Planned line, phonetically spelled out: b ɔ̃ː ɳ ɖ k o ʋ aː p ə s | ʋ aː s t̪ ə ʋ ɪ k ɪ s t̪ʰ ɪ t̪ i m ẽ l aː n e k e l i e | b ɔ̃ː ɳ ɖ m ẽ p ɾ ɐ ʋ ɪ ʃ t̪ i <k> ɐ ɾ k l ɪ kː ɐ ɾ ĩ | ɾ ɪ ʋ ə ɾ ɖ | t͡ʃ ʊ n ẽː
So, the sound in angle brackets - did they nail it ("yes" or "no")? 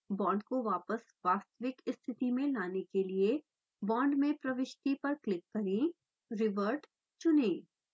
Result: no